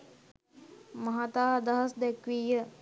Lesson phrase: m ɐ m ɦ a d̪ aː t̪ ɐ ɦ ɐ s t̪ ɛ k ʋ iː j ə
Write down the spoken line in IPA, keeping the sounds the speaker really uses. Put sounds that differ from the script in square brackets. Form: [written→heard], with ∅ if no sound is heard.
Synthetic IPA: m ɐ [m→∅] ɦ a [d̪→t̪] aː [t̪→d̪] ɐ ɦ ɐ s [t̪→d̪] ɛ k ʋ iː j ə

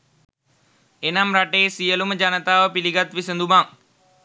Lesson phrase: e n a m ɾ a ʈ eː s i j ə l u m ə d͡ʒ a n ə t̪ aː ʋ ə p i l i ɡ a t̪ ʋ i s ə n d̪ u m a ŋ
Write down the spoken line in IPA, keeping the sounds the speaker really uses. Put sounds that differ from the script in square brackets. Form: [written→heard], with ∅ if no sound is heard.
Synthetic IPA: e n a m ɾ a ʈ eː s i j ə l u m ə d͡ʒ a n ə t̪ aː ʋ ə p i l i ɡ a t̪ ʋ i s ə n d̪ u m a ŋ

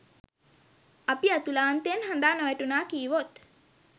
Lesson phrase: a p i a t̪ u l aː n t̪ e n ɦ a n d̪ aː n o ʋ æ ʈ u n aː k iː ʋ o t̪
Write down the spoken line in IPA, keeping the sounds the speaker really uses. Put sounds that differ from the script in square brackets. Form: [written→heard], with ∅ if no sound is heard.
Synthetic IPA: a p i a t̪ u l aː n t̪ e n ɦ a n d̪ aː n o ʋ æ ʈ u n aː k iː ʋ o t̪

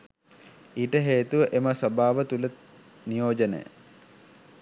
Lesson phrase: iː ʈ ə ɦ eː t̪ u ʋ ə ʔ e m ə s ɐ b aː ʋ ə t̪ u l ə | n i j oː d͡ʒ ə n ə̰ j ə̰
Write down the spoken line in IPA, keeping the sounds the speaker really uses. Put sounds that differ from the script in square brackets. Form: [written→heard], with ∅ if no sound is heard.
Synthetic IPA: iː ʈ ə ɦ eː t̪ u ʋ ə ʔ e m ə s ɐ b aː ʋ ə t̪ u l ə | n i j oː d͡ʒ ə n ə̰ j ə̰

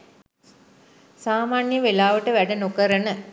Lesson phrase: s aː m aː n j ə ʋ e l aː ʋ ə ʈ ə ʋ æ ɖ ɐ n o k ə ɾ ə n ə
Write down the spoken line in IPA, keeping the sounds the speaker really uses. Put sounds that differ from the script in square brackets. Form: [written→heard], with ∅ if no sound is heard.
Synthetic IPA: s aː m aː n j ə ʋ e l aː ʋ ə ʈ ə ʋ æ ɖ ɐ n o k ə ɾ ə n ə

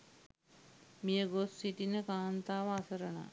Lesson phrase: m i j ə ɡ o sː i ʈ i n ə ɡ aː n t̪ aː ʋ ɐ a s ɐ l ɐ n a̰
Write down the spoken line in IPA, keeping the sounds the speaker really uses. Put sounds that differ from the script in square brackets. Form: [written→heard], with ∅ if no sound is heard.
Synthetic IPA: m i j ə ɡ o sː i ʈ i n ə [ɡ→k] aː n t̪ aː ʋ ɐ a s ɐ [l→ɾ] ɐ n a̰

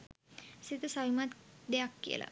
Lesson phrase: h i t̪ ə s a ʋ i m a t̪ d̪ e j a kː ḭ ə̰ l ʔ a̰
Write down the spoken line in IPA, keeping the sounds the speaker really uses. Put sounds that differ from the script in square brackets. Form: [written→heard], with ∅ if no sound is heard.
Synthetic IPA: [h→s] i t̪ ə s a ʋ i m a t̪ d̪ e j a kː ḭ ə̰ l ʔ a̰

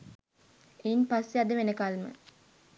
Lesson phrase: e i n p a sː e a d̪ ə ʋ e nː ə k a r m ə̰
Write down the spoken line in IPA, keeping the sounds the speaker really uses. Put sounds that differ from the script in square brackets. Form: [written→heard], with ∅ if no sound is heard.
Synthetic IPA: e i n p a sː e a d̪ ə ʋ e [nː→n] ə k a [r→l] m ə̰

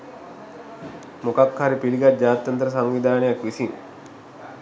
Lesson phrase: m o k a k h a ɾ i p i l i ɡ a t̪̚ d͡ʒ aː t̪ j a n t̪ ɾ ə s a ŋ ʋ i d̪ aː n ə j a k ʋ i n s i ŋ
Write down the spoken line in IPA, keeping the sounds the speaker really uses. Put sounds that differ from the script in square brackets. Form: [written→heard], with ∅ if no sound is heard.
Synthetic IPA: m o k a k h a ɾ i p i l i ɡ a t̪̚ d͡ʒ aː t̪ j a n t̪ ɾ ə s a ŋ ʋ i d̪ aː n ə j a k ʋ i [n→∅] s i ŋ

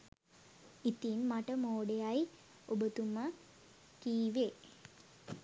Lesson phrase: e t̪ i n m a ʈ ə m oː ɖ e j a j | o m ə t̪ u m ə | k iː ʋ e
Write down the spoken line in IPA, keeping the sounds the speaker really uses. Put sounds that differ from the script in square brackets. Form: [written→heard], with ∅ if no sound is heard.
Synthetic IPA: [e→i] t̪ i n m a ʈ ə m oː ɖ e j a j | o [m→b] ə t̪ u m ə | k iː ʋ e

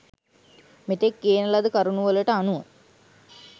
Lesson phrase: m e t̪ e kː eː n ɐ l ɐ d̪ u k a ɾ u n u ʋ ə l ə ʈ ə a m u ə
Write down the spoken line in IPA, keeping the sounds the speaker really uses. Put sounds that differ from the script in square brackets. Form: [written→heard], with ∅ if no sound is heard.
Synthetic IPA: m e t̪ e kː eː n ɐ l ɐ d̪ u k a ɾ u n u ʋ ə l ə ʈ ə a [m→n] u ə

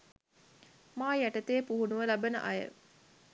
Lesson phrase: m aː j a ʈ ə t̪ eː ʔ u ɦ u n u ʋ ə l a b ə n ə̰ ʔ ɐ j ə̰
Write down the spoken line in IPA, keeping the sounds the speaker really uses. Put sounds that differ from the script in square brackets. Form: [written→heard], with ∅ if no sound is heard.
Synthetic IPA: m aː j [a→æ] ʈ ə t̪ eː [ʔ→p] u ɦ u n u ʋ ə l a b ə n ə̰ ʔ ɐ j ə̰

